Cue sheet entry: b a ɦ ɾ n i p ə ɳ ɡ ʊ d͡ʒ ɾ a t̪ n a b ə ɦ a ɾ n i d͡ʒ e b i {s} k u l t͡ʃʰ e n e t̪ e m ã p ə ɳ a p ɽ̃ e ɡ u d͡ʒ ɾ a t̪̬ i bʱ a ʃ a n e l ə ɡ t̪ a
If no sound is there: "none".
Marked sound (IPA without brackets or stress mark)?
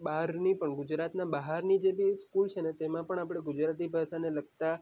s